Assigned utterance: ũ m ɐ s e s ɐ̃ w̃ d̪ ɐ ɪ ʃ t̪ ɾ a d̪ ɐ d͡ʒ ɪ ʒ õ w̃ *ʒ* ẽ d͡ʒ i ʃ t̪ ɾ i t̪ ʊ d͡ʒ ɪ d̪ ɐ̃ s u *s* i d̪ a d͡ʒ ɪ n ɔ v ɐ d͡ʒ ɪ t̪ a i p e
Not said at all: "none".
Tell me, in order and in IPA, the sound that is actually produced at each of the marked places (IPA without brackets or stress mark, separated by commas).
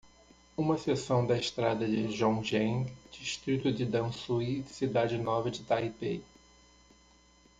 ʒ, s